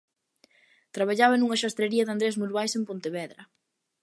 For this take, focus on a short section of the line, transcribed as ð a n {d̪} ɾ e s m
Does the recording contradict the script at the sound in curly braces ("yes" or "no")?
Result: no